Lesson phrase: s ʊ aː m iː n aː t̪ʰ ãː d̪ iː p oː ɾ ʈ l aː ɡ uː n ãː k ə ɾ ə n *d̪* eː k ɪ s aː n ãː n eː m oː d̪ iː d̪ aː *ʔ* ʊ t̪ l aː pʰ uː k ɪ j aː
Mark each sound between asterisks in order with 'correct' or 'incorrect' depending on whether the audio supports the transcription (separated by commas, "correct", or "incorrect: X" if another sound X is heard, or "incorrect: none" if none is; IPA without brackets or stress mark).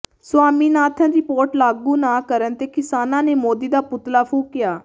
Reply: incorrect: t̪, incorrect: p